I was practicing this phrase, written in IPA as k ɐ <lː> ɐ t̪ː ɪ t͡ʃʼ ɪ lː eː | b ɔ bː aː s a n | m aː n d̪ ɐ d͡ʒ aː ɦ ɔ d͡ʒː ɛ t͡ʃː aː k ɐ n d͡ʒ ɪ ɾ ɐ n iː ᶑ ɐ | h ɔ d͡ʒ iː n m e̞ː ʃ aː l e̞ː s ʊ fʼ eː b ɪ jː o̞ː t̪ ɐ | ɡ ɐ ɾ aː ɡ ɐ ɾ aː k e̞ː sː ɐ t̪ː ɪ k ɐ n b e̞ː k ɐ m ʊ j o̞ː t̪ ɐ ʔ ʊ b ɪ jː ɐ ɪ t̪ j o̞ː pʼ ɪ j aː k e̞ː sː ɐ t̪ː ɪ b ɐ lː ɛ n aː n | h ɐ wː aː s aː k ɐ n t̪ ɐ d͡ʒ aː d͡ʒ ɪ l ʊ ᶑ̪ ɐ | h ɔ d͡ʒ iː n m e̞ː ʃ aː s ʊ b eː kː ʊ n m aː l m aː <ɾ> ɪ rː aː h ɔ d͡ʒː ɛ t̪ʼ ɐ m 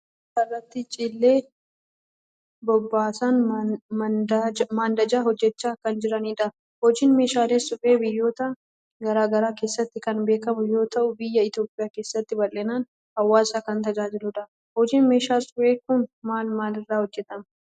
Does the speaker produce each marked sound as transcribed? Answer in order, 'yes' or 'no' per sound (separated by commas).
no, no